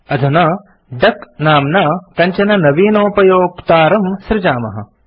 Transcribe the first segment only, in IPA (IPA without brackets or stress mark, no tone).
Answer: ɐ